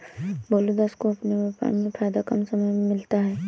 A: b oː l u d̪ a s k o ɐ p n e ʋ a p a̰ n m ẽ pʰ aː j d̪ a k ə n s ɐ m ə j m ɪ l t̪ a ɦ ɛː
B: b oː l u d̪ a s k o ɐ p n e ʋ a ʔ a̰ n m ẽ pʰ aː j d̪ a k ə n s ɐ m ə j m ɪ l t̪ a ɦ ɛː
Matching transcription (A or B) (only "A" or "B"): A